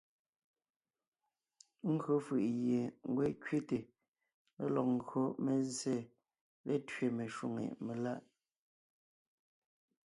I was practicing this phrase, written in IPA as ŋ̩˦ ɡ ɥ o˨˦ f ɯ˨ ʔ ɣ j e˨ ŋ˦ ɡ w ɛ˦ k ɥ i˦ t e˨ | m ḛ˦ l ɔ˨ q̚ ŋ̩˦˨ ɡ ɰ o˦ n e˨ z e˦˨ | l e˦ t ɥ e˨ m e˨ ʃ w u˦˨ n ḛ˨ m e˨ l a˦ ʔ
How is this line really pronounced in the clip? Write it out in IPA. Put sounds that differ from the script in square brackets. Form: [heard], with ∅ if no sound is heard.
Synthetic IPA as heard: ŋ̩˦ ɡ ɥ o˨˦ f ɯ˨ ʔ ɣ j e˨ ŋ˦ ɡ w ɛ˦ k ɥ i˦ t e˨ | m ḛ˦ l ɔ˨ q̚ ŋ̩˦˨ ɡ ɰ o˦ [m] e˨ z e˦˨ | l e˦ t ɥ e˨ m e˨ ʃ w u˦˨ [ŋ] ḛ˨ m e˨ l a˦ ʔ